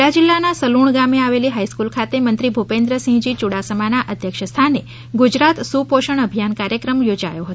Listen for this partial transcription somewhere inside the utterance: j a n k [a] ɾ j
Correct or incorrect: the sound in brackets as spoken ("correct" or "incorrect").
correct